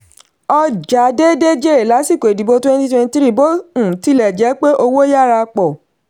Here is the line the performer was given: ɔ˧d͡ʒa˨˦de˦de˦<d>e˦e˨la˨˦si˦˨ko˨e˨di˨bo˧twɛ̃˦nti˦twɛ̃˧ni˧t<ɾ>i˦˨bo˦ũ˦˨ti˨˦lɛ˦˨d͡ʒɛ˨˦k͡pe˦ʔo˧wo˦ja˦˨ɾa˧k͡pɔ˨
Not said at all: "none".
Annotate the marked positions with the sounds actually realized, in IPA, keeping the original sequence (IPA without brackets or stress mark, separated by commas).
d͡ʒ, ɾ